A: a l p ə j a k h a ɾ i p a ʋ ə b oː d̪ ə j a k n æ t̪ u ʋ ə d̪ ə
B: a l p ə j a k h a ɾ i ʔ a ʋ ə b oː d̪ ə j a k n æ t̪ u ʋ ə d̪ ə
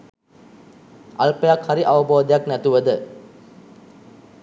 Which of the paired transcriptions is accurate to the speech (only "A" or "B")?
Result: B